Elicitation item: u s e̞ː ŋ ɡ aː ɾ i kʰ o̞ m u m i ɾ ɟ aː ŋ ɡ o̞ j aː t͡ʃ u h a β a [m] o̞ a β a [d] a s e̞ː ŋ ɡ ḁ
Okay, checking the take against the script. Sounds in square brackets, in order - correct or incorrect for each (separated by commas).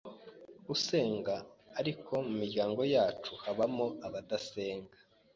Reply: correct, correct